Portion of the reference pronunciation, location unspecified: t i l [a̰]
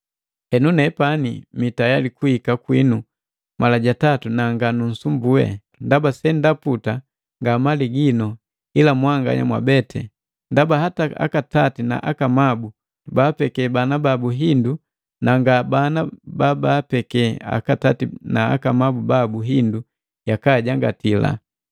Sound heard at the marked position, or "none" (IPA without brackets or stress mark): a̰